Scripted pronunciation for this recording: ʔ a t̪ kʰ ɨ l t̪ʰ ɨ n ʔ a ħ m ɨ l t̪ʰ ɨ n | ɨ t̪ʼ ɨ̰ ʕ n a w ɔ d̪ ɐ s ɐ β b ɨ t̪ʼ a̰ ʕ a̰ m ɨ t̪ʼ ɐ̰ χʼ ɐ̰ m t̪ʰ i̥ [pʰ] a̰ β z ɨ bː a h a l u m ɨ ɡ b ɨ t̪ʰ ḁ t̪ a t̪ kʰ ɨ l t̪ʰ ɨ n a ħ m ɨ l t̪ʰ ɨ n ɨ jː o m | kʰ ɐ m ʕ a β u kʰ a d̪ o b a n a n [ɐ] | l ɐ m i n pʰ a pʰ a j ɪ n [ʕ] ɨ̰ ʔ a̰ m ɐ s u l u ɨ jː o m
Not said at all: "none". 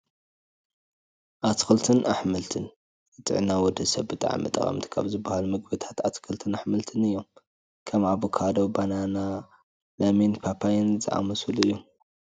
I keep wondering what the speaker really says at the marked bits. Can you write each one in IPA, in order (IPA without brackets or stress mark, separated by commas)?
kʰ, a, z